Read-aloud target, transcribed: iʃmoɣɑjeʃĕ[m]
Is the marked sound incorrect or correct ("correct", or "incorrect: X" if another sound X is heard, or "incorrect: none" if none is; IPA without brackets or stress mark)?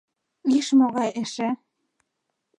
incorrect: none